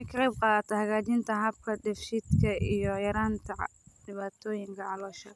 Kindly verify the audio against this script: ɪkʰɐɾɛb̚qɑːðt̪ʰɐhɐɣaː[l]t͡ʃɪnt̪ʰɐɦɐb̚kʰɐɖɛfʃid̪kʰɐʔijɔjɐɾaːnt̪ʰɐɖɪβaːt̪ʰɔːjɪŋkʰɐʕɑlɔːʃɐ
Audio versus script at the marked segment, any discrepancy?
yes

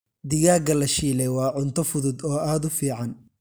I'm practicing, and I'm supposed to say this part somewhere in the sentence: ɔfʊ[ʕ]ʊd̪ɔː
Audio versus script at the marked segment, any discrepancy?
yes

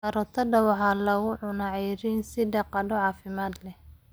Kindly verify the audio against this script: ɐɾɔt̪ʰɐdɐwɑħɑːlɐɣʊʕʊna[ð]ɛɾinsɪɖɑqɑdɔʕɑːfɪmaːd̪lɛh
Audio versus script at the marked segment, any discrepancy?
yes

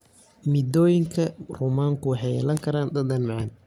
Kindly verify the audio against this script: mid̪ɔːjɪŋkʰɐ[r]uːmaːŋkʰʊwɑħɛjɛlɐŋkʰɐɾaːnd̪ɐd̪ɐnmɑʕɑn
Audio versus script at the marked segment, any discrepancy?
no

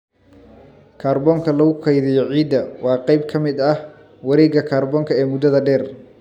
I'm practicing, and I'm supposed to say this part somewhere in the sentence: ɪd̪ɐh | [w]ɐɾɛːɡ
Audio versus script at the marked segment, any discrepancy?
no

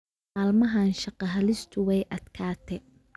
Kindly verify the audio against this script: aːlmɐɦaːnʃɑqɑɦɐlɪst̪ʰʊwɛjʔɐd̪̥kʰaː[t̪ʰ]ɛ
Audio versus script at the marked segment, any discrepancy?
no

